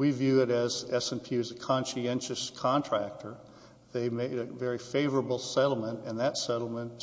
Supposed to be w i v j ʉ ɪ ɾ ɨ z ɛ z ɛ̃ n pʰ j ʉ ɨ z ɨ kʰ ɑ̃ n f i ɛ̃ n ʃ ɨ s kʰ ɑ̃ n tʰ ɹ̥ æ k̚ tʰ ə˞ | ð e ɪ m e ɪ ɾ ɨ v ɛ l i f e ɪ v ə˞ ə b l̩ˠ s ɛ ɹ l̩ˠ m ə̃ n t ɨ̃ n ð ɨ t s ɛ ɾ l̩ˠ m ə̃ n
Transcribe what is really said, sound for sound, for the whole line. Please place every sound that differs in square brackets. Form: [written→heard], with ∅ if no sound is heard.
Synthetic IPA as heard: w i v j ʉ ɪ ɾ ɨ z ɛ [z→s] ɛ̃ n pʰ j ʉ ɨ z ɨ kʰ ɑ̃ n [f→ʃ] i ɛ̃ n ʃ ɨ s kʰ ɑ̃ n tʰ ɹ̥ æ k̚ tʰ ə˞ | ð e ɪ m e ɪ ɾ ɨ v ɛ [l→ɹ] i f e ɪ v ə˞ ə b l̩ˠ s ɛ [ɹ→ɾ] l̩ˠ m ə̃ n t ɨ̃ n ð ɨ t s ɛ ɾ l̩ˠ m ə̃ n